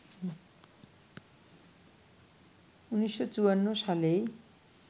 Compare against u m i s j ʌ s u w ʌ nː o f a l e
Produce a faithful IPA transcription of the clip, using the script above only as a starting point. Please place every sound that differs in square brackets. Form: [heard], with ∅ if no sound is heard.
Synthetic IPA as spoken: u [n] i s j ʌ [t͡s] u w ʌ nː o [s] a l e